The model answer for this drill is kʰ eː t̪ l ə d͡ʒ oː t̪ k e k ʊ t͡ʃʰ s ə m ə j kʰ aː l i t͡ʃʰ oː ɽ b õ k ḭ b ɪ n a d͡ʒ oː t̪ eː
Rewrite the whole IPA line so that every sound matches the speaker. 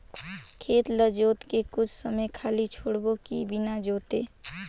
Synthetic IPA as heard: kʰ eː t̪ l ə d͡ʒ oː t̪ k e k ʊ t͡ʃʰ s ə m ə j kʰ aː l i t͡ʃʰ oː ɽ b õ k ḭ b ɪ n a d͡ʒ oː t̪ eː